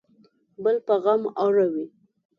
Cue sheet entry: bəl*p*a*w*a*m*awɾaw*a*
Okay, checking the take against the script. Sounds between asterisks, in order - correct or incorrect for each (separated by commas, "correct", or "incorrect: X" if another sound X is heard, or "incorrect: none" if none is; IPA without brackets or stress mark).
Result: correct, incorrect: ɣ, correct, incorrect: i